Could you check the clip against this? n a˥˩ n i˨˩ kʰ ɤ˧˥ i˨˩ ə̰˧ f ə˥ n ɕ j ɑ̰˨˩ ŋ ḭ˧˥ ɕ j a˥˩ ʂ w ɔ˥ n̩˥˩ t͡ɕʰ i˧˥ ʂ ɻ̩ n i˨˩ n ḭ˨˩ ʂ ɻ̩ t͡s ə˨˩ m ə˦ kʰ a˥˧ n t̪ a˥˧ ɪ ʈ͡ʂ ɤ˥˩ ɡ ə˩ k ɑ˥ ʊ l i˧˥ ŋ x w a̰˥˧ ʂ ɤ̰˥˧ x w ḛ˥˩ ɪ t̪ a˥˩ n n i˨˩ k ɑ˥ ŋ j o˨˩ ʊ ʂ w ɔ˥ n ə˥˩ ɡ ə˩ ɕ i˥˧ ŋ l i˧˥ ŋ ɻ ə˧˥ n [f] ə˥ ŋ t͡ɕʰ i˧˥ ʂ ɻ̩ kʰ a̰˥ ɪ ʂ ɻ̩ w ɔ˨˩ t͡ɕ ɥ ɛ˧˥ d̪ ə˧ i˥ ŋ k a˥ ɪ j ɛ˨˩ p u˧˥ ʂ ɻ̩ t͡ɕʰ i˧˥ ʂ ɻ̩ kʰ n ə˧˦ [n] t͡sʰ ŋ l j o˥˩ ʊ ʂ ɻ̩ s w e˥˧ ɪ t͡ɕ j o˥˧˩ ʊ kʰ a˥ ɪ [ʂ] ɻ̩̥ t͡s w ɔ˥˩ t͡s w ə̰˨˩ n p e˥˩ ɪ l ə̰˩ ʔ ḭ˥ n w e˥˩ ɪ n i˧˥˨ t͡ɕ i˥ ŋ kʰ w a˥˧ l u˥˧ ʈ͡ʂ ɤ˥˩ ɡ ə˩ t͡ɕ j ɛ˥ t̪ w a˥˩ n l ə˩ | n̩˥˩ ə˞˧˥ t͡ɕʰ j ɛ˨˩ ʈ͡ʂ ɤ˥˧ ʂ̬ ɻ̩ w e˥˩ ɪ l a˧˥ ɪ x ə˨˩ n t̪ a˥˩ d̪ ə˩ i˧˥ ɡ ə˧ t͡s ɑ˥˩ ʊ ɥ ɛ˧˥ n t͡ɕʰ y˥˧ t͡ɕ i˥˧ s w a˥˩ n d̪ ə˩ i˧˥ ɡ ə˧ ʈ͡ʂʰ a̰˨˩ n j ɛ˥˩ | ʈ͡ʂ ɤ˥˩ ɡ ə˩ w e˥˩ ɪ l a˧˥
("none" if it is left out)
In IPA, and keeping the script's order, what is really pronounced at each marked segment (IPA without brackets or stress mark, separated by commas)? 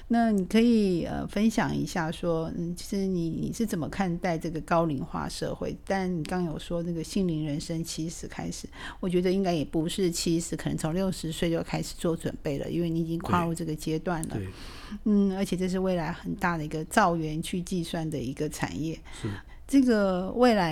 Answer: ʂ, ŋ, ʂ